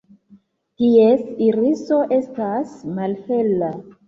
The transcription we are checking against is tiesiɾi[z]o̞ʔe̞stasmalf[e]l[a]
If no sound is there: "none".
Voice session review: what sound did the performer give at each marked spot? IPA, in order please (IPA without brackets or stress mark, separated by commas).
s, e, a